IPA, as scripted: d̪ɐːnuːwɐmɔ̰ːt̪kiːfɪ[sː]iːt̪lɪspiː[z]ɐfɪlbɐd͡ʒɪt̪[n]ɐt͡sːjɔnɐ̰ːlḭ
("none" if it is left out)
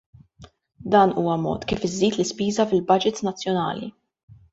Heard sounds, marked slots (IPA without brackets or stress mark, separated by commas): zː, z, n